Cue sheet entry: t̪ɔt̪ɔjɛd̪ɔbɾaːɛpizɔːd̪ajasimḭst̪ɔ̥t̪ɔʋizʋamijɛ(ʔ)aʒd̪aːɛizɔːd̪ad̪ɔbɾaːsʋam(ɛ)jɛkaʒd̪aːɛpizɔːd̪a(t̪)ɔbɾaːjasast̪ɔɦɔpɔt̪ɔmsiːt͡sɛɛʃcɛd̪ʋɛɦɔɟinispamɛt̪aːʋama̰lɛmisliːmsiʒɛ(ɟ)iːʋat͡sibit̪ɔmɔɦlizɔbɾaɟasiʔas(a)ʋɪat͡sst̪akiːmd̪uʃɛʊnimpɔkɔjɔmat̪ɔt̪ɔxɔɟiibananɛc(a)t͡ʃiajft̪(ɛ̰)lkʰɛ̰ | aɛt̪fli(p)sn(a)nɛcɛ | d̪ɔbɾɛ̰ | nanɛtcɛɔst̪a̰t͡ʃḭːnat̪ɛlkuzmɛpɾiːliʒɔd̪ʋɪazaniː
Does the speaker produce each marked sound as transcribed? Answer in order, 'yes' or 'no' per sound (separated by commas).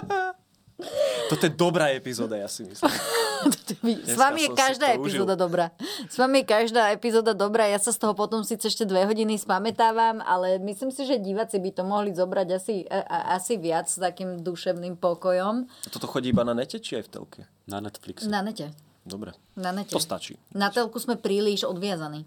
no, no, no, yes, no, no, yes, no, yes